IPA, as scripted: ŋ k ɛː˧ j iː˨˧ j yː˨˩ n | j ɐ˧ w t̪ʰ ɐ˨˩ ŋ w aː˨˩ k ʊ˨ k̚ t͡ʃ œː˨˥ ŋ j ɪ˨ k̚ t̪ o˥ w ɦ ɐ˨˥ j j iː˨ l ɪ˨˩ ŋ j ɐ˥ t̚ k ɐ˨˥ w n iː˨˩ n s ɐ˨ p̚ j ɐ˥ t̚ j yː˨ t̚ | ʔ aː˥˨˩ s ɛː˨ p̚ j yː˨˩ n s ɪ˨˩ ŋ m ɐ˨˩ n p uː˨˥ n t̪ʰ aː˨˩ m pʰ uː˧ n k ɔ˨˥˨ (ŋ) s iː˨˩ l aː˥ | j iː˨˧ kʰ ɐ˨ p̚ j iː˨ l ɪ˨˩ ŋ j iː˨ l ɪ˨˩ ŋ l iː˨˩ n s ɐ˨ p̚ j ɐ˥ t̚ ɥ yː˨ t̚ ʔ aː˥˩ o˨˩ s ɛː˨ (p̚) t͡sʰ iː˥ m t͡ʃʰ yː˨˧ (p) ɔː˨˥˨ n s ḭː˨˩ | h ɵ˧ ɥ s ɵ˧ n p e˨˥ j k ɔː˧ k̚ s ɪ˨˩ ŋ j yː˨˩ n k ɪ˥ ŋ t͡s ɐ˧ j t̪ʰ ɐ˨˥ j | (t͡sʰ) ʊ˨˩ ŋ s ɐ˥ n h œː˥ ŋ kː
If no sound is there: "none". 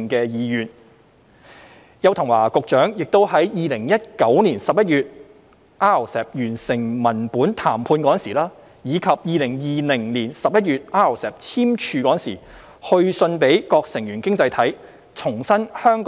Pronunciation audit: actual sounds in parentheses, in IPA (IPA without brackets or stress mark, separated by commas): n, p̚, k, t͡sʰ